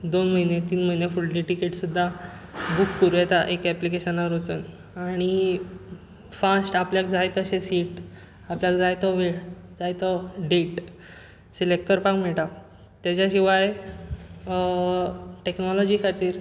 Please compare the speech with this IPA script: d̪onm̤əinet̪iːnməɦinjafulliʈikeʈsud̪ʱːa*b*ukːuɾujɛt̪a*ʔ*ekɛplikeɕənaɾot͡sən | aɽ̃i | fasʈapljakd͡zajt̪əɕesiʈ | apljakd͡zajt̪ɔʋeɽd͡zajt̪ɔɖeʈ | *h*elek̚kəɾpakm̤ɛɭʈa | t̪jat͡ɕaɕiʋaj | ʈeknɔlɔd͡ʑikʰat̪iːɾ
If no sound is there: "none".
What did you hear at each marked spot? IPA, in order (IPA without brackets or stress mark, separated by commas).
b, ʔ, s